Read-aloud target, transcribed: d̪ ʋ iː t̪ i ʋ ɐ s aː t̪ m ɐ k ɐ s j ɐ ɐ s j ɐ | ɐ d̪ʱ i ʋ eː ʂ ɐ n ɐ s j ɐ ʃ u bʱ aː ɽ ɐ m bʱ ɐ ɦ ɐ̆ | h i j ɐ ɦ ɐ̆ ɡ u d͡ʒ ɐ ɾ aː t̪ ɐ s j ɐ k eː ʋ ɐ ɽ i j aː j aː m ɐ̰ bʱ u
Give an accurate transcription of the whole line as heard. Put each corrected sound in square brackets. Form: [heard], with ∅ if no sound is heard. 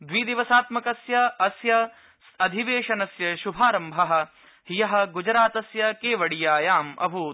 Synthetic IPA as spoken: d̪ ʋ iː [d̪] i ʋ ɐ s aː t̪ m ɐ k ɐ s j ɐ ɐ s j ɐ | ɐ d̪ʱ i ʋ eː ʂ ɐ n ɐ s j ɐ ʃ u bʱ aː [ɾ] ɐ m bʱ ɐ ɦ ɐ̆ | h i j ɐ ɦ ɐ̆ ɡ u d͡ʒ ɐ ɾ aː t̪ ɐ s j ɐ k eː ʋ ɐ ɽ i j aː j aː m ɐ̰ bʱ u